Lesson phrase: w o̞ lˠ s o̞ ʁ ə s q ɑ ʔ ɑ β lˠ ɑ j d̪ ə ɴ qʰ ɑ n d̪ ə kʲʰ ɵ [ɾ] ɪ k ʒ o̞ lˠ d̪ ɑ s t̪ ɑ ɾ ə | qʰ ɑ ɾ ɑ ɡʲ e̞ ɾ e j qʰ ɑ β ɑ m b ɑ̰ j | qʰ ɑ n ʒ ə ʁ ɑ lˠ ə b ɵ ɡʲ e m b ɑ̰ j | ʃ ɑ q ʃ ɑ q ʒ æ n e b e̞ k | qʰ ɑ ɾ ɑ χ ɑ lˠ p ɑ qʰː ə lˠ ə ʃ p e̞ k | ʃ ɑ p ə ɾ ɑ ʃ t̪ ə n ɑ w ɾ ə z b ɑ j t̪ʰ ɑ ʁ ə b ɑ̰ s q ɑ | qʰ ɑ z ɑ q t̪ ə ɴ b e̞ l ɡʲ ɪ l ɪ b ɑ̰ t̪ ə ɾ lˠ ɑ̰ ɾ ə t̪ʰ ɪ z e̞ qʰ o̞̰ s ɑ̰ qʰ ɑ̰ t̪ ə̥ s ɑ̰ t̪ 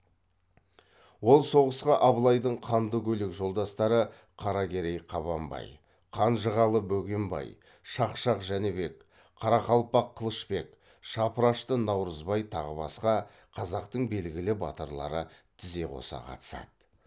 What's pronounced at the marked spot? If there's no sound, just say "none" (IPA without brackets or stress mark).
l